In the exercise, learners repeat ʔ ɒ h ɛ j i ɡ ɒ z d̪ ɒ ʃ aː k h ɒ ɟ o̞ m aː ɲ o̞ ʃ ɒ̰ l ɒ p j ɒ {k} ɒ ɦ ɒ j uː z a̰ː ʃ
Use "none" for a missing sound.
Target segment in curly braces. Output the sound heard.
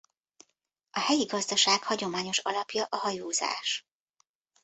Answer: ʔ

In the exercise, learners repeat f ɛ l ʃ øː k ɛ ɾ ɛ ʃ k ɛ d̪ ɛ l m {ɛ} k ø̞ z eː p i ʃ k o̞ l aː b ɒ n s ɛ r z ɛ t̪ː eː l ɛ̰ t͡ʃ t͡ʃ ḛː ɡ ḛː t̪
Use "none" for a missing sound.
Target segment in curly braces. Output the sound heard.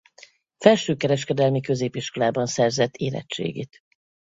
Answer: i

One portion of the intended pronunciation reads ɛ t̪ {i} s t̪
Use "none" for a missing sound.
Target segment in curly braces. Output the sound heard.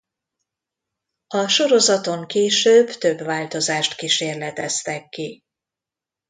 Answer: ɛ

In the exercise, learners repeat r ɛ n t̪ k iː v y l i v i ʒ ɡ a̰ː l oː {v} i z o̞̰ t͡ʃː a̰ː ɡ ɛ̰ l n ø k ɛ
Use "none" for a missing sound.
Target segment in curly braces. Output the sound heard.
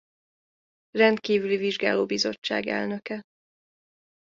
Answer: b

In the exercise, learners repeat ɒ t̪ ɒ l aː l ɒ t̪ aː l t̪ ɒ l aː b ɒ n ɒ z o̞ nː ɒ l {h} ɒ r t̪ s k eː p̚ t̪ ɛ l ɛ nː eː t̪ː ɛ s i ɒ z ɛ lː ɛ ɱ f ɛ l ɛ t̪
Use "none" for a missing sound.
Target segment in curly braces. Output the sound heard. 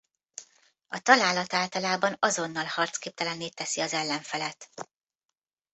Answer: h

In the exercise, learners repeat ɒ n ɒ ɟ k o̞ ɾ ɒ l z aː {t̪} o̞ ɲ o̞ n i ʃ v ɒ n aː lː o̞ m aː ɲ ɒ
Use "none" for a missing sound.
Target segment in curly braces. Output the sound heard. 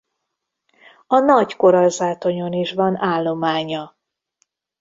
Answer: t̪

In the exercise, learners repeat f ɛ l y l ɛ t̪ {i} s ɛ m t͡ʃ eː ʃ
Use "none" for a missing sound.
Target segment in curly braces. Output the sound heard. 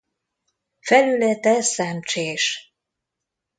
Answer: ɛ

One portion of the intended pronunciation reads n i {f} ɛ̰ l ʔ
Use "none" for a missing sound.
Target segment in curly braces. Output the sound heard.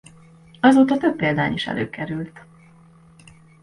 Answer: ʃ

